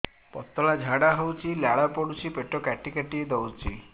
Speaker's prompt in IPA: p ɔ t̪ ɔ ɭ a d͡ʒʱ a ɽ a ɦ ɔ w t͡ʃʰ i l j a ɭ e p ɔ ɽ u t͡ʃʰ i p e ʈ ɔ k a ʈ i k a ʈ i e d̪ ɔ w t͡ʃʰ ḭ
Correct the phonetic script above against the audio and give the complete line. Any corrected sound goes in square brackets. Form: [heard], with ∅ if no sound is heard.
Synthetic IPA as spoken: p ɔ t̪ ɔ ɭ a d͡ʒʱ a ɽ a ɦ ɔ w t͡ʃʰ i l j a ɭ [a] p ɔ ɽ u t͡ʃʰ i p e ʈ ɔ k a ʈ i k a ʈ i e d̪ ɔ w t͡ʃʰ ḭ